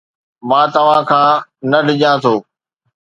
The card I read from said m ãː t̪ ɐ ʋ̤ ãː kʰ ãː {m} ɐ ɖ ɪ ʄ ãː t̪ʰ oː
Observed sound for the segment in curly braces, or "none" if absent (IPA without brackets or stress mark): n